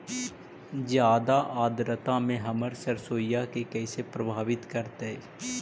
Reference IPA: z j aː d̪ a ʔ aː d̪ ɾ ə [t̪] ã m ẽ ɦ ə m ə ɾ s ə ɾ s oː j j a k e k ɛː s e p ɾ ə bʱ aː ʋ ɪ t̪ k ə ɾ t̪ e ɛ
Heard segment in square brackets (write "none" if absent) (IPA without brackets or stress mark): t̪